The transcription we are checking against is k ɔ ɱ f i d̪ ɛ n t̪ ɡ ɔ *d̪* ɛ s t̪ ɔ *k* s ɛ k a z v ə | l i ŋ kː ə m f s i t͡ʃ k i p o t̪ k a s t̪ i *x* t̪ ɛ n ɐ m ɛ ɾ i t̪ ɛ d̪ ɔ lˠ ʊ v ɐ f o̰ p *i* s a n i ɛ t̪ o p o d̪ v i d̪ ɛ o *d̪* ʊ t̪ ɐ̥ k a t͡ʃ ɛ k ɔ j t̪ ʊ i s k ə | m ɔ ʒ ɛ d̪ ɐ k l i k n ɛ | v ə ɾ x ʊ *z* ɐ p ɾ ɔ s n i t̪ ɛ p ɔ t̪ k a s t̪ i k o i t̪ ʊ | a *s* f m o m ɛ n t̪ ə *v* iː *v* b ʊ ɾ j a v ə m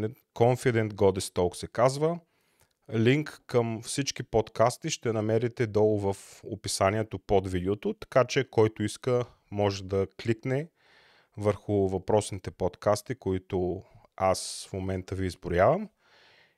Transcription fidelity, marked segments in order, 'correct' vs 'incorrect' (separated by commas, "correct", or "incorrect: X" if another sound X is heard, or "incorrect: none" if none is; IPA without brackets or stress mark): correct, correct, incorrect: ʃ, correct, incorrect: t̪, incorrect: v, correct, correct, incorrect: z